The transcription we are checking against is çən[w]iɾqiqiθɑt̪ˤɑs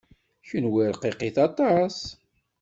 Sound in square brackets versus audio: correct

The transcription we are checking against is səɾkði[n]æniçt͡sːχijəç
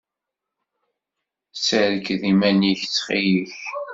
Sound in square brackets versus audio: incorrect: m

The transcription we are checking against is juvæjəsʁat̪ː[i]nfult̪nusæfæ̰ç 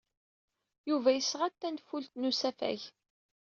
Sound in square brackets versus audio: incorrect: æ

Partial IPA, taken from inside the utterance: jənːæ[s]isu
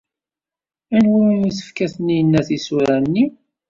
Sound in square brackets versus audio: incorrect: θ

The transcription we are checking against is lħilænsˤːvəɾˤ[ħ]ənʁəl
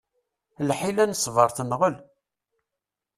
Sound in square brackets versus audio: incorrect: θ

